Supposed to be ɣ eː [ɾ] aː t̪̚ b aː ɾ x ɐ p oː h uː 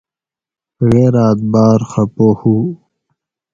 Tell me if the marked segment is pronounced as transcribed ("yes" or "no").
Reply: yes